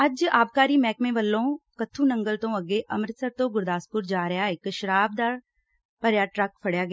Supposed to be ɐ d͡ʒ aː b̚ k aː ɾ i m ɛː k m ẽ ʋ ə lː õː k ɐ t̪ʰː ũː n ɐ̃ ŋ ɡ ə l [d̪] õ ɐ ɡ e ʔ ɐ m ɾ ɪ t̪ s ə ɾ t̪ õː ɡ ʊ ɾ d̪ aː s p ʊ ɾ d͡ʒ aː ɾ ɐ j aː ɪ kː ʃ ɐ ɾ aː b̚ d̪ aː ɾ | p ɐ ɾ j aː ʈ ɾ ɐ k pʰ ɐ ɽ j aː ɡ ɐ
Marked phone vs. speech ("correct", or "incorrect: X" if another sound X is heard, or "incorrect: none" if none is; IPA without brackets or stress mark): incorrect: t̪